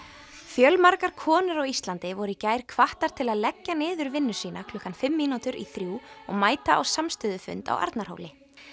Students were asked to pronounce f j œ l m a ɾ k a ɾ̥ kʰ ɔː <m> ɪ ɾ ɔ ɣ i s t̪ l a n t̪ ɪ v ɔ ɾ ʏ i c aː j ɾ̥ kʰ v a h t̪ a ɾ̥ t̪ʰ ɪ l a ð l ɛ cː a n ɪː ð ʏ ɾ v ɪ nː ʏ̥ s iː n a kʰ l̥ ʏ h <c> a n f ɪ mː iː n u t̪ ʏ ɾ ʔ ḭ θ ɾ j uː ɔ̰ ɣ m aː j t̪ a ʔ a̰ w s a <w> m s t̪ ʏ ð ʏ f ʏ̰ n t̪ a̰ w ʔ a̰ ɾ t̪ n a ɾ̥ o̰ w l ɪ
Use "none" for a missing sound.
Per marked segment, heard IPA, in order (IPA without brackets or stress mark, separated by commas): n, k, none